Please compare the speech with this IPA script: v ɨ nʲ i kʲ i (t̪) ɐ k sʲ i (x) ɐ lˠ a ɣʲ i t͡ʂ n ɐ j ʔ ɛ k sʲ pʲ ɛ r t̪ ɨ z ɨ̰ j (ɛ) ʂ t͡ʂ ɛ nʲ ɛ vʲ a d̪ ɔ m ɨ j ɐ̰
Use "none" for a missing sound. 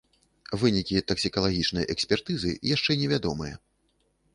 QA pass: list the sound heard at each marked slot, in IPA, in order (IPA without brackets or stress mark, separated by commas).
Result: t̪, k, a